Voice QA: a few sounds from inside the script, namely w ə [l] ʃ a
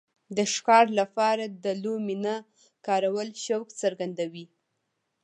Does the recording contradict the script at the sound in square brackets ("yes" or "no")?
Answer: no